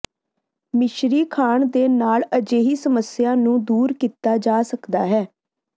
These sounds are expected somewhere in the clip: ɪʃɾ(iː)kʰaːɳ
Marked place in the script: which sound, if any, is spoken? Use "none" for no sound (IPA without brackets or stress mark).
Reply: iː